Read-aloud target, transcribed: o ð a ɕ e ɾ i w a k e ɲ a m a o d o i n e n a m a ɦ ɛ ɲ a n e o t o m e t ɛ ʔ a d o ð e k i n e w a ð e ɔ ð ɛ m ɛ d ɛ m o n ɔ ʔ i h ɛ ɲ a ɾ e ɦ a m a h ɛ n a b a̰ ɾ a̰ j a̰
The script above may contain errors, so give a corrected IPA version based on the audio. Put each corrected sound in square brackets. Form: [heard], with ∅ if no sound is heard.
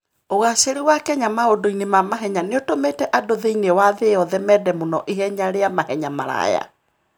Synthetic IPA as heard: o [ɣ] a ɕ e ɾ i w a k [ɛ] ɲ a m a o d o i n e [m] a m a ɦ ɛ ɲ a n e o t o m e t ɛ ʔ a d o ð e [∅] i n e w a ð e ɔ ð ɛ m ɛ d ɛ m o n ɔ ʔ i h ɛ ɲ a ɾ e [∅] a m a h ɛ [ɲ] a [m] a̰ ɾ a̰ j a̰

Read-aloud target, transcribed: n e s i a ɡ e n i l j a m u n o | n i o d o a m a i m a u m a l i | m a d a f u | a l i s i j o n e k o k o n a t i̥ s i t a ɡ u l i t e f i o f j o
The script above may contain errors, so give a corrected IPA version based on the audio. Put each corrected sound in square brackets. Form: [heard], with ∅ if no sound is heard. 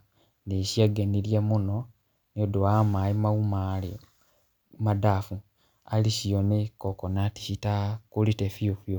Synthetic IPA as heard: n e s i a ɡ e n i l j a m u n o | n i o d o a m a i m a u m a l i | m a d a f u | a l i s i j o n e k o k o n a t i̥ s i t a [k] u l i t e f i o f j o

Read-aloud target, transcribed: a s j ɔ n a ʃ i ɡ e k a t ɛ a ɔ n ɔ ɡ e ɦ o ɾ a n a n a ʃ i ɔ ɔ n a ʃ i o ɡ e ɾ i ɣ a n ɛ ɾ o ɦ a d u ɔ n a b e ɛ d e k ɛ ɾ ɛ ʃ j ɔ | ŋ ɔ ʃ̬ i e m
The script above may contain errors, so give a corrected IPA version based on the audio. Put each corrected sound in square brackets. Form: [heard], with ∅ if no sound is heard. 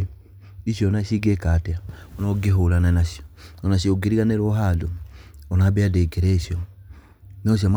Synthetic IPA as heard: [i] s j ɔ n a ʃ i ɡ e k a t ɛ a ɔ n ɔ ɡ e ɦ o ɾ a n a n a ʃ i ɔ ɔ n a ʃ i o ɡ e ɾ i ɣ a n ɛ ɾ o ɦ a d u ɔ n a b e [a] d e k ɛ ɾ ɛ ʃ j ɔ | [n] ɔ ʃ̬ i [a] m

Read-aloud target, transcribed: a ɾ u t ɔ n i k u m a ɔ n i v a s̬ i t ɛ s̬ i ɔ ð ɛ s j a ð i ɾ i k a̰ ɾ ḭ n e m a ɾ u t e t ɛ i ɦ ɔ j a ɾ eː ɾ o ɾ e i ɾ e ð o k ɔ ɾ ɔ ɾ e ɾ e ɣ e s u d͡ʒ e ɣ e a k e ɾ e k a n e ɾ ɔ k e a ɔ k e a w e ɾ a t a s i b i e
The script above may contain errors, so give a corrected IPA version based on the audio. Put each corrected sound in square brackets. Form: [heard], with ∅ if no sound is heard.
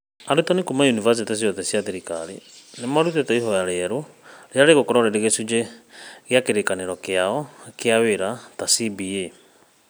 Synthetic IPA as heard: a ɾ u t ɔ n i k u m a [u] n i v a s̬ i t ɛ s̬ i ɔ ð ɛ s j a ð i ɾ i k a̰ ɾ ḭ n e m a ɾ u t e t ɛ i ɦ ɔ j a ɾ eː ɾ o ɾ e [a] ɾ e [ɣ] o k ɔ ɾ ɔ ɾ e ɾ e ɣ e s u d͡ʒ e ɣ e a k e ɾ e k a n e ɾ ɔ k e a ɔ k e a w e ɾ a t a s i b i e

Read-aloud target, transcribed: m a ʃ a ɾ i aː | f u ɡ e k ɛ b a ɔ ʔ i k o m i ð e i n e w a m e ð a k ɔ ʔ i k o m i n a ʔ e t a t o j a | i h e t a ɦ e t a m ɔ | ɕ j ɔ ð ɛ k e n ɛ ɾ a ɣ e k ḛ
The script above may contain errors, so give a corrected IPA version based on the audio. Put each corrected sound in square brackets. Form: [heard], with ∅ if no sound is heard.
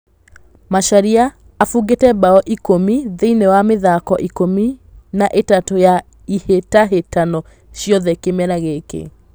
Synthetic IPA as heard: m a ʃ a ɾ i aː | f u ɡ e [t] ɛ b a ɔ ʔ i k o m i ð e i n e w a m e ð a k ɔ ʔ i k o m i n a ʔ e t a t o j a | i h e t a ɦ e t a [n] ɔ | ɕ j ɔ ð ɛ k e [m] ɛ ɾ a ɣ e k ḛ

